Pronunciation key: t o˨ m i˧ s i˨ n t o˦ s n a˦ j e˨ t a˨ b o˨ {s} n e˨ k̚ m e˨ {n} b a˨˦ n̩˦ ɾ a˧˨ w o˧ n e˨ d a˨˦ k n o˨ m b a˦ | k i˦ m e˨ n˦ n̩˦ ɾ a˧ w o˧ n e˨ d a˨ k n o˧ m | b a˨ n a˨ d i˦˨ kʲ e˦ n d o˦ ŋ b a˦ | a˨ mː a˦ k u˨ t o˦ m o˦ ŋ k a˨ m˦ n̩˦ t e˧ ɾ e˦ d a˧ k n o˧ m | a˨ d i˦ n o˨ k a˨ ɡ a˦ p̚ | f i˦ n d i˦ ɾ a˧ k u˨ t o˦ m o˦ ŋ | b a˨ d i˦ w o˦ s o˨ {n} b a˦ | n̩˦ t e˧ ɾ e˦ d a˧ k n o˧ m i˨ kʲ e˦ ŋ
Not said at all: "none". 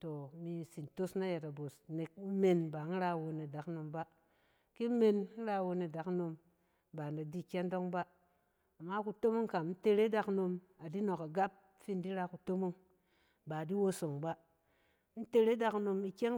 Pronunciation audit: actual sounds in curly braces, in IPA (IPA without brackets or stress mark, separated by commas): s, n, ŋ